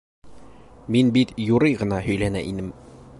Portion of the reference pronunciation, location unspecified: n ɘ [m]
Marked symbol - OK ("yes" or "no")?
yes